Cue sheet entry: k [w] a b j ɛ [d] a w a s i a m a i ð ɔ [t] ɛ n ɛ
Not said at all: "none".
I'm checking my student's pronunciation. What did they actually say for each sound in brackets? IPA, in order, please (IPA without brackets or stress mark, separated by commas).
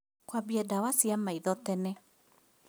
w, d, t